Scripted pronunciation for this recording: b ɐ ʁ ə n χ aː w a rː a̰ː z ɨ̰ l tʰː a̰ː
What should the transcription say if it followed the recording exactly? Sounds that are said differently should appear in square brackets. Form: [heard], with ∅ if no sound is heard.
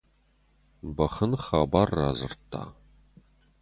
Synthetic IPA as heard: b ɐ [χ] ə n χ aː [b] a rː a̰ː z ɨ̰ [r] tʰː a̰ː